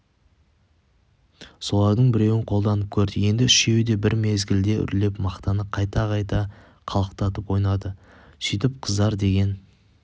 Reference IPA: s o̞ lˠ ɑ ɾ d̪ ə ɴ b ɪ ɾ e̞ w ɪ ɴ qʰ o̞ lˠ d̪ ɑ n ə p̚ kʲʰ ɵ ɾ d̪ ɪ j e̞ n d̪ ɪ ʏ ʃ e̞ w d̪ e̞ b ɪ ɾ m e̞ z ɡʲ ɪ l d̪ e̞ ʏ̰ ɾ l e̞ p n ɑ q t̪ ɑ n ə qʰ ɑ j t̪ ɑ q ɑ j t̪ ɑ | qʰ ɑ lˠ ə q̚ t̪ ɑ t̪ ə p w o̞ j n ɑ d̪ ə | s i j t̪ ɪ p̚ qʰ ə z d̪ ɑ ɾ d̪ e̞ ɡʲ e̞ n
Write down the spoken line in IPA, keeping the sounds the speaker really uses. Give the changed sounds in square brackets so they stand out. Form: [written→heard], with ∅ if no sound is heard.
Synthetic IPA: s o̞ lˠ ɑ ɾ d̪ ə ɴ b ɪ ɾ e̞ w ɪ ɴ qʰ o̞ lˠ d̪ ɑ n ə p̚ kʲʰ ɵ ɾ d̪ ɪ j e̞ n d̪ ɪ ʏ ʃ e̞ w d̪ e̞ b ɪ ɾ m e̞ z ɡʲ ɪ l d̪ e̞ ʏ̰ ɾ l e̞ p [n→m] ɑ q t̪ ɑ n ə qʰ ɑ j t̪ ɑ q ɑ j t̪ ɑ | qʰ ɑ lˠ ə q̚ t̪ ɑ t̪ ə p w o̞ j n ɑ d̪ ə | s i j t̪ ɪ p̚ qʰ ə z d̪ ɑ ɾ d̪ e̞ ɡʲ e̞ n